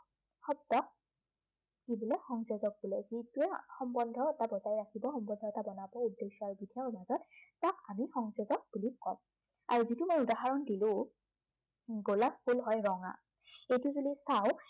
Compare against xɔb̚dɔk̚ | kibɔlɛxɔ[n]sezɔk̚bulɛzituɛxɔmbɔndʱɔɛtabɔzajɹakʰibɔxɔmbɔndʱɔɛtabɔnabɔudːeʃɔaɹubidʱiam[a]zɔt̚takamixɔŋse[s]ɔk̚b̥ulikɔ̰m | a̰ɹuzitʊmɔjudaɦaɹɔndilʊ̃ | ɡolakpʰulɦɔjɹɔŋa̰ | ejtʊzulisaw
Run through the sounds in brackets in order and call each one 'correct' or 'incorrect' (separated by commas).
incorrect, correct, incorrect